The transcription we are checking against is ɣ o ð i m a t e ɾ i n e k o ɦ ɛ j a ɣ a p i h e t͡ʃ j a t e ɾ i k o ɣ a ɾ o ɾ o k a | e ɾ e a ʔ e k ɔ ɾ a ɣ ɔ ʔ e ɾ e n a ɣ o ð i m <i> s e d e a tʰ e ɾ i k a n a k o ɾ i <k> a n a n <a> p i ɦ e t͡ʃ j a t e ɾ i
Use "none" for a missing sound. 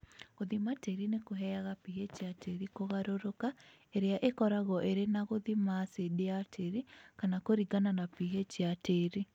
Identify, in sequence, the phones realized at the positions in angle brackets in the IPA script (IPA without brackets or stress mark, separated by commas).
a, ɡ, a